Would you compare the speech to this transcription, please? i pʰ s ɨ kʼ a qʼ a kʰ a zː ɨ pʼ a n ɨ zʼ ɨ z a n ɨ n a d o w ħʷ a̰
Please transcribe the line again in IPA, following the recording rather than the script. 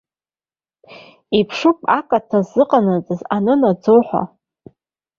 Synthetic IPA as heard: i pʰ ʂ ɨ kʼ a kʼ a tʰ a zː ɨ qʼ a n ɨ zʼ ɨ z a n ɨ n a d͡z o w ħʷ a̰